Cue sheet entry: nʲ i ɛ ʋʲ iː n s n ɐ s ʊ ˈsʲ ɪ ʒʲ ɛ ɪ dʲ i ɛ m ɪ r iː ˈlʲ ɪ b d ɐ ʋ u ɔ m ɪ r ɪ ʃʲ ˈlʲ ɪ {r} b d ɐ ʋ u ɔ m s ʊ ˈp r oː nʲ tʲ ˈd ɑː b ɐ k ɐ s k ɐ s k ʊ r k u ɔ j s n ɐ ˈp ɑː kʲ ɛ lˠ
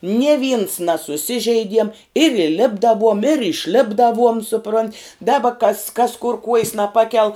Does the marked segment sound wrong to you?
yes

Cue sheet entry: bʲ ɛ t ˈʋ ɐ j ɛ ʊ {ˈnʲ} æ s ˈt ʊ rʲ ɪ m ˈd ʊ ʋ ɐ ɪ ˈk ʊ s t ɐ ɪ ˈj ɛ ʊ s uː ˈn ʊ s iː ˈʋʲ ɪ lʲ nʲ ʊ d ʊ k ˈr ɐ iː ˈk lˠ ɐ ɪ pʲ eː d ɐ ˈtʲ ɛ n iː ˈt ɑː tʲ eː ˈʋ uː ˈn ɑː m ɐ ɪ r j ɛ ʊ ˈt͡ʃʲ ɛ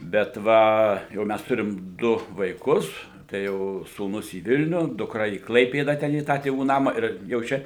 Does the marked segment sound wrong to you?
yes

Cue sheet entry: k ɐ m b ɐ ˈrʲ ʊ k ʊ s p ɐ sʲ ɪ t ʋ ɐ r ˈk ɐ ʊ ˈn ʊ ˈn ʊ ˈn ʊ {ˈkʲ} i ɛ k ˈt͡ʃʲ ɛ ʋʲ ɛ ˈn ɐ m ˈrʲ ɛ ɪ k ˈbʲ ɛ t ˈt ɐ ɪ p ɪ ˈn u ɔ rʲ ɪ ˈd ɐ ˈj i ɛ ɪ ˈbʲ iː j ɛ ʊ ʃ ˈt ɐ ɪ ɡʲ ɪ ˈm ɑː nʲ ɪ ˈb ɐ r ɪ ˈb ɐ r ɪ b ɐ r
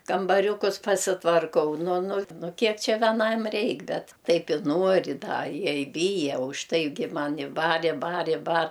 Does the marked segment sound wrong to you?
no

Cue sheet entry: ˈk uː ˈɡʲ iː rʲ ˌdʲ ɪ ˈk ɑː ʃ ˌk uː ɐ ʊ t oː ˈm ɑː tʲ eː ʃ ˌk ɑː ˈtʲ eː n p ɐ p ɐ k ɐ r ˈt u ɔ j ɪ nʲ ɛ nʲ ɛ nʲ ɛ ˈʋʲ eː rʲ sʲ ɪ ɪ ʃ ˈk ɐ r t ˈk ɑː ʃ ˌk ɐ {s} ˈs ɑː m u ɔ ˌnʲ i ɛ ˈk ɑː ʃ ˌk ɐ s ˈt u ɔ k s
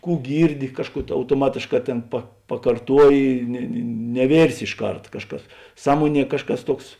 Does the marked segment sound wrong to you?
no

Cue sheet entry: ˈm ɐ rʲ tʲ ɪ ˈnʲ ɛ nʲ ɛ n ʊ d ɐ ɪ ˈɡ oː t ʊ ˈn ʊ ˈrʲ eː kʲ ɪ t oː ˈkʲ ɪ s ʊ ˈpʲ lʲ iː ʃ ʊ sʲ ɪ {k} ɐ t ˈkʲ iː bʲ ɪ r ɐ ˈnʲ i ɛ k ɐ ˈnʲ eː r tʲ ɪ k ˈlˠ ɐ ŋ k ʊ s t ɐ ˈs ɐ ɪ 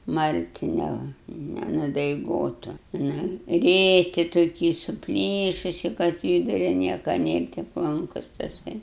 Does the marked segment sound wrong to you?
no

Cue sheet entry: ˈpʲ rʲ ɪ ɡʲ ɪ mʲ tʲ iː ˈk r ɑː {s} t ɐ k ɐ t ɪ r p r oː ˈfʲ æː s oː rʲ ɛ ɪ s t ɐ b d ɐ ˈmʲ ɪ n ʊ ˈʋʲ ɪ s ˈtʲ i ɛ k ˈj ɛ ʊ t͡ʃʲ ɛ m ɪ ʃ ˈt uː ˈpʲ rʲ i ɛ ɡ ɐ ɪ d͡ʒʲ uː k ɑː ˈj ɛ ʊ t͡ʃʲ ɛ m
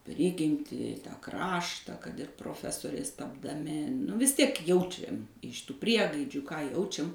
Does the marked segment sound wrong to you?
yes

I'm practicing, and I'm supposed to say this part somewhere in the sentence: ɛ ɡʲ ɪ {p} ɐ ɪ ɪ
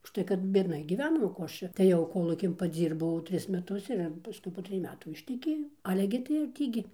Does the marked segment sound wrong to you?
yes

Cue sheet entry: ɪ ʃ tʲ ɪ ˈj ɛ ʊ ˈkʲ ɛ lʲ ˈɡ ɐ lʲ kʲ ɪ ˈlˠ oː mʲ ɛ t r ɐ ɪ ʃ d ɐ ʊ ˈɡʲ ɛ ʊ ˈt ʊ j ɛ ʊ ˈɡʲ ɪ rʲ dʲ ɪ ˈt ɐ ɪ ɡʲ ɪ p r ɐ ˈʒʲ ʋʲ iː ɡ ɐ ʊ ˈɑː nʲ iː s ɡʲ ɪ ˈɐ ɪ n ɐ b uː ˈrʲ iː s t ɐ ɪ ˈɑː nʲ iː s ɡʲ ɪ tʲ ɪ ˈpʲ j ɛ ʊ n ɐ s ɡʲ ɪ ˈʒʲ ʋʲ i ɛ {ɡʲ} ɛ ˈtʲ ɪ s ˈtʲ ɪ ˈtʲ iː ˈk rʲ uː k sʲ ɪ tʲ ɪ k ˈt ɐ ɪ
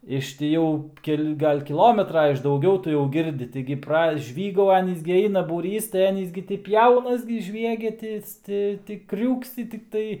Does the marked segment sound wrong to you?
no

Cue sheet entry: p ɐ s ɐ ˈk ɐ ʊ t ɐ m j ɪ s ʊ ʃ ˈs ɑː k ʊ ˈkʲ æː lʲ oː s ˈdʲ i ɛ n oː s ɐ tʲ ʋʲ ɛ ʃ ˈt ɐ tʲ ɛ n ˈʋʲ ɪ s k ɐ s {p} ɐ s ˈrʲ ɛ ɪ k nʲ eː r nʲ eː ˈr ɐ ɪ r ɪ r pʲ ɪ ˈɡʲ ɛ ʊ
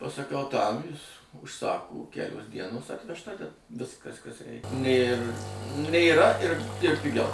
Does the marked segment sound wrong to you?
yes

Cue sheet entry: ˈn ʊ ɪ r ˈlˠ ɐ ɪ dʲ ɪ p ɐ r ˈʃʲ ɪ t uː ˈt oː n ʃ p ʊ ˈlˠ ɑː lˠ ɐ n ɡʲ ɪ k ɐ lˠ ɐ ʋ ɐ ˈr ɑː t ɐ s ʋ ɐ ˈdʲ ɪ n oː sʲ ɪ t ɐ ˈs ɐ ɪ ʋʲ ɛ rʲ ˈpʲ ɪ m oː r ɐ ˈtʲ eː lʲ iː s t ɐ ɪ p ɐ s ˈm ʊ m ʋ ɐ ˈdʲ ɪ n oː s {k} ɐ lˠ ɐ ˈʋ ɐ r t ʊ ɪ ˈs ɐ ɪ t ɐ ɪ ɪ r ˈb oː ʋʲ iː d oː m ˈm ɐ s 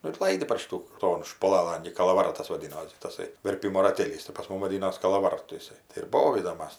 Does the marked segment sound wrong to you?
no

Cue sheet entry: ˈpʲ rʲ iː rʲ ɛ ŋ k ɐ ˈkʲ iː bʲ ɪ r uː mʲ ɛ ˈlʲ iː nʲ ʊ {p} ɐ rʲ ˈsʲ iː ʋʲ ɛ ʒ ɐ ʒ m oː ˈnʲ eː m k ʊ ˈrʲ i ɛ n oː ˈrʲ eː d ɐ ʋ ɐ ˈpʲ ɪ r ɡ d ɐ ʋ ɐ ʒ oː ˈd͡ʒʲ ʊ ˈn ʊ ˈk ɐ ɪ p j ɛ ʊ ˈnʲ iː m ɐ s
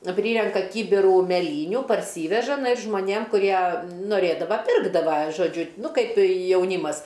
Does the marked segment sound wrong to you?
no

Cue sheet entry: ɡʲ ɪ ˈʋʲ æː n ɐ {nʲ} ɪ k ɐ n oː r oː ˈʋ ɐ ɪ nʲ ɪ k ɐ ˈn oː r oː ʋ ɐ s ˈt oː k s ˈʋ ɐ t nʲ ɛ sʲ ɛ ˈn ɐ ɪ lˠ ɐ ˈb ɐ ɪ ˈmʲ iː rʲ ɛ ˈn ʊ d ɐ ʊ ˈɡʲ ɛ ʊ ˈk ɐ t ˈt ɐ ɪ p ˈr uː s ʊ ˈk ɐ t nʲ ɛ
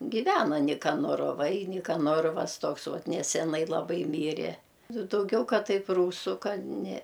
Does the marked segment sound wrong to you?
no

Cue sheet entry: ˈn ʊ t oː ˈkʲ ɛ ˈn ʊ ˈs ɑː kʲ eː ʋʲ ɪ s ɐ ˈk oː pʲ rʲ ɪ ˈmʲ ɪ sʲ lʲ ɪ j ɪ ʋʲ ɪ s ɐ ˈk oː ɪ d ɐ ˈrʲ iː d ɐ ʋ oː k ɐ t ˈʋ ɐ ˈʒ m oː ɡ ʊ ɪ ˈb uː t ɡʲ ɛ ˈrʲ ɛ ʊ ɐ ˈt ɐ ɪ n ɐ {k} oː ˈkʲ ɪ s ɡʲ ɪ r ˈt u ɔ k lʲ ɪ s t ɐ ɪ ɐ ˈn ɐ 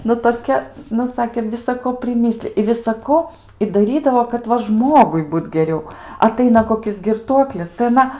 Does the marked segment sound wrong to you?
no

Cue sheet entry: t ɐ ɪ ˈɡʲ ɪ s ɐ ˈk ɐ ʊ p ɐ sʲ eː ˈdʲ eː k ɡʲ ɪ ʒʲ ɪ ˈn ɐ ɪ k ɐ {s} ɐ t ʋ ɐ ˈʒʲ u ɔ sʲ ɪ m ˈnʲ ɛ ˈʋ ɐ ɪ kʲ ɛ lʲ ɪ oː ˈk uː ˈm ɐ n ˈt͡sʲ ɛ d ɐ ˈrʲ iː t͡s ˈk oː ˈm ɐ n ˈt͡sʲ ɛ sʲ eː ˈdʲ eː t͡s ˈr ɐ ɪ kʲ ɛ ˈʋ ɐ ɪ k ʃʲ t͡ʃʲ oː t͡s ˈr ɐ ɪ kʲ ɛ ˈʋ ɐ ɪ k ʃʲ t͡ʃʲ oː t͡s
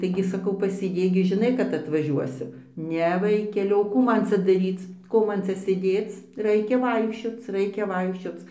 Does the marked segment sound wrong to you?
yes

